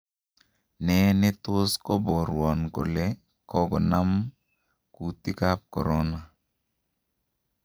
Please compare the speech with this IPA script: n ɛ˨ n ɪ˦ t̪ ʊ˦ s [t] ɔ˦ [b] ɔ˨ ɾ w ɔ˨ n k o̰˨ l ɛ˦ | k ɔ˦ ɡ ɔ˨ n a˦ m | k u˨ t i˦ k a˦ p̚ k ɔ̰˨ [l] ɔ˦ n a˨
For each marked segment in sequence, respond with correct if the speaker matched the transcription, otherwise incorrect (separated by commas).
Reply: incorrect, correct, incorrect